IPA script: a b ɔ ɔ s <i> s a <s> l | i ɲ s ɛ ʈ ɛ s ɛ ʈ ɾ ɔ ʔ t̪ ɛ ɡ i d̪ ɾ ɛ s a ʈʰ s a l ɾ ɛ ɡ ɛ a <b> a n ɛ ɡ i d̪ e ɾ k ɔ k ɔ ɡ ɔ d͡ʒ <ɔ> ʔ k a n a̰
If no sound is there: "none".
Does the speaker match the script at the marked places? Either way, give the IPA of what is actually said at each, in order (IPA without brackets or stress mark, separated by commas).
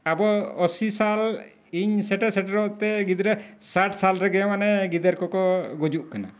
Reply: i, none, m, u